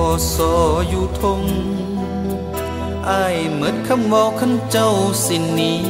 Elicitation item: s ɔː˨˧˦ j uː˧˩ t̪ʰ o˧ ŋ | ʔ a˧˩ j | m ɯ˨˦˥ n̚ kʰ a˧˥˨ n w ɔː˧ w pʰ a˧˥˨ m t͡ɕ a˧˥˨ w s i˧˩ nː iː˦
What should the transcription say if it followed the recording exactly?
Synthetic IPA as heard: s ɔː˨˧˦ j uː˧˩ t̪ʰ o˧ ŋ | ʔ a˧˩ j | m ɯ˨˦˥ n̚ kʰ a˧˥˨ m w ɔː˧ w kʰ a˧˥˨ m t͡ɕ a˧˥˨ w s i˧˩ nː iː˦

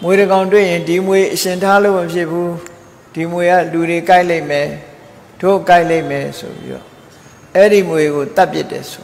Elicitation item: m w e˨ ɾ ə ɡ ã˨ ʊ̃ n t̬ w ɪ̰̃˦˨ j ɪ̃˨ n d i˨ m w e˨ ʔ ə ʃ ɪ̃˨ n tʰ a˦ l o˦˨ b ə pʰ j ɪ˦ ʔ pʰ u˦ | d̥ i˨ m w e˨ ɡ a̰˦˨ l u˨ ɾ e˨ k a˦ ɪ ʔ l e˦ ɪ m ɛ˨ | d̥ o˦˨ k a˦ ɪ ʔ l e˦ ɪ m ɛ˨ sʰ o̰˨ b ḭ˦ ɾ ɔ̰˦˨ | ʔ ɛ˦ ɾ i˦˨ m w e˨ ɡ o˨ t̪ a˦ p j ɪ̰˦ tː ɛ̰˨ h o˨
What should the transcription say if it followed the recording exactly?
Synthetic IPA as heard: m w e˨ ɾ ə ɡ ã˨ ʊ̃ n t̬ w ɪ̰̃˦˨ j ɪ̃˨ n d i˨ m w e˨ ʔ ə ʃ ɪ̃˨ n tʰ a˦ l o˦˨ m ə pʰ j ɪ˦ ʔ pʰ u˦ | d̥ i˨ m w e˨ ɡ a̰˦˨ l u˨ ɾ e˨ k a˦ ɪ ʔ l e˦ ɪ m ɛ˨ | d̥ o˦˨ k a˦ ɪ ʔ l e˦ ɪ m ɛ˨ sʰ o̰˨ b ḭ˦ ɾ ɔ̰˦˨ | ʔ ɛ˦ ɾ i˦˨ m w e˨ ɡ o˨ t̪ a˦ p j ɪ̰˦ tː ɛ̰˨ s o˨

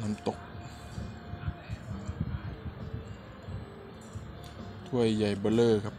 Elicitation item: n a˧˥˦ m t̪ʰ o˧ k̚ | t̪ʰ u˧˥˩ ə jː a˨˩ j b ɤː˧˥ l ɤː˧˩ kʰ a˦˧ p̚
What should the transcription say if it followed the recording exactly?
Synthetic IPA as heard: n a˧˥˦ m t̪ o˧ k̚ | t̪ʰ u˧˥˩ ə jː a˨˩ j b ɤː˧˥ l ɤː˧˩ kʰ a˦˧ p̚

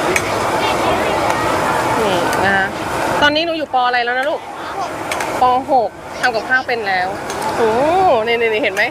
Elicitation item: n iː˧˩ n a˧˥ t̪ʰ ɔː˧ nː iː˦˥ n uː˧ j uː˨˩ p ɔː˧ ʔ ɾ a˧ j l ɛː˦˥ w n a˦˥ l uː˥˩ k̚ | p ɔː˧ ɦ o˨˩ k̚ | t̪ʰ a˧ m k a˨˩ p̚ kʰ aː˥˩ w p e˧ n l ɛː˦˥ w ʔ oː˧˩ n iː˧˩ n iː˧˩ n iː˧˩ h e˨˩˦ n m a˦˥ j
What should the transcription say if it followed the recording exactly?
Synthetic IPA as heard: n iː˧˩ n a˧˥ t̪ ɔː˧ nː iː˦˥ n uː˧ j uː˨˩ p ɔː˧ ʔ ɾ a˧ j l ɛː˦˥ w n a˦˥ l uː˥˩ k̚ | p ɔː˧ ɦ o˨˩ k̚ | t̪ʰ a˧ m k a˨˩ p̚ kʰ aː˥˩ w p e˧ n l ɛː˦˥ w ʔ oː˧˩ n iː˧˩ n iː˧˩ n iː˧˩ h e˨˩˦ n m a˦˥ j

